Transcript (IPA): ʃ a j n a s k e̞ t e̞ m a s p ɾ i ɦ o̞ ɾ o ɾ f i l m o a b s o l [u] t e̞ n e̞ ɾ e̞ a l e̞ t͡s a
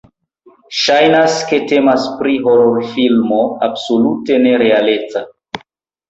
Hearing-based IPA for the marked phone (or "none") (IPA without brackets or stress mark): u